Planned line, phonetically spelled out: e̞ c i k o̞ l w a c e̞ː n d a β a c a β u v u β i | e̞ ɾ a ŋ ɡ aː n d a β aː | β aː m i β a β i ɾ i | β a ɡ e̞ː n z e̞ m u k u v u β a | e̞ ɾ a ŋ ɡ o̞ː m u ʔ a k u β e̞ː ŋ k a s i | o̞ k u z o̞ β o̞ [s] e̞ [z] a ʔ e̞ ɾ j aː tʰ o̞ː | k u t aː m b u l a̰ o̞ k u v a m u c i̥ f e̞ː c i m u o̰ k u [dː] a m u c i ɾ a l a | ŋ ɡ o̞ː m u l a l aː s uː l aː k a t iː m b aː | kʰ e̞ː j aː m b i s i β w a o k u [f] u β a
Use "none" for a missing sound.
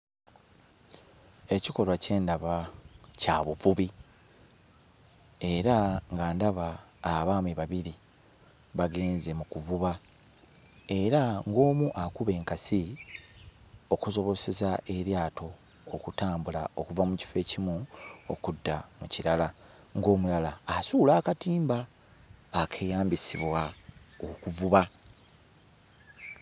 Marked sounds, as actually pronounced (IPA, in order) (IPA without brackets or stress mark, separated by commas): s, z, dː, v